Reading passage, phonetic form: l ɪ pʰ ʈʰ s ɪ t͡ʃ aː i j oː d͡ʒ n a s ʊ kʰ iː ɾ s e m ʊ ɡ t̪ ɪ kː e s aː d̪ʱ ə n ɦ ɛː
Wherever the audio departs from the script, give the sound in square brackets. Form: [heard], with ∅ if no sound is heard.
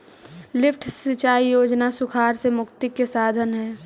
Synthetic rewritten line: l ɪ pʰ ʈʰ s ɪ t͡ʃ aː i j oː d͡ʒ n a s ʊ kʰ [aː] ɾ s e m ʊ [k] t̪ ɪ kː e s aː d̪ʱ ə n ɦ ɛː